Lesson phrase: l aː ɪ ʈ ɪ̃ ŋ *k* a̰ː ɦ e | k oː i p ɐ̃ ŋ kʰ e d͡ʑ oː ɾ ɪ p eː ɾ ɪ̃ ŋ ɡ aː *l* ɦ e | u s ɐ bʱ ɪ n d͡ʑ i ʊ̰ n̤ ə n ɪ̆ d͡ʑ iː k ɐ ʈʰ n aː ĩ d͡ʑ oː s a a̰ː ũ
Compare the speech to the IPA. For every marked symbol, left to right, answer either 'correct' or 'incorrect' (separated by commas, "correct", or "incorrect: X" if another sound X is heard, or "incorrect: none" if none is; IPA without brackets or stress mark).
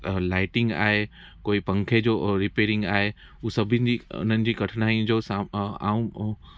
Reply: incorrect: ɡ, incorrect: none